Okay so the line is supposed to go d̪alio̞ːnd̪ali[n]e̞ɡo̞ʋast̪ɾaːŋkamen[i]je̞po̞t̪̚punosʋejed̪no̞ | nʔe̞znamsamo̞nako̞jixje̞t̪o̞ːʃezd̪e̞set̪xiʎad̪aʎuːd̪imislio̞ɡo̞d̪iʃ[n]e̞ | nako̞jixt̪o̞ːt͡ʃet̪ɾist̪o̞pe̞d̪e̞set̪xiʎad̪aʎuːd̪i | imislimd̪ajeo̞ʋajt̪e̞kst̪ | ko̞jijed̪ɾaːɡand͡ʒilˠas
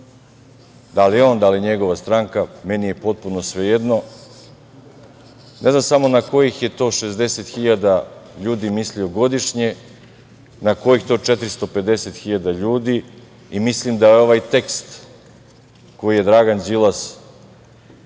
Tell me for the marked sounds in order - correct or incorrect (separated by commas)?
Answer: incorrect, correct, incorrect